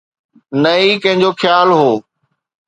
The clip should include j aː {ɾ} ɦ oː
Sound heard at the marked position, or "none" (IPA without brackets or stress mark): l